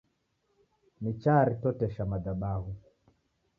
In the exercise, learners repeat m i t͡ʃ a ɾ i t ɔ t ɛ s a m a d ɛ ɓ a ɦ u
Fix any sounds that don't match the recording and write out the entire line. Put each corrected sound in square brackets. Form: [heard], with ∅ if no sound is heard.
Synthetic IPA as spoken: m i t͡ʃ a ɾ i t ɔ t ɛ [ʃ] a m a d [a] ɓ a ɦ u